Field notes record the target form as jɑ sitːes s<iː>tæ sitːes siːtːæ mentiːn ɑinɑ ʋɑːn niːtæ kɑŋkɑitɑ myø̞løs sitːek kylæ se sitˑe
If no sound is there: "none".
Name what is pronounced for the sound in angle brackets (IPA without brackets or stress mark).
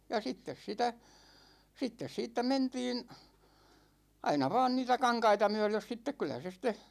i